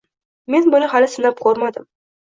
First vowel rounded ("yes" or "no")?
no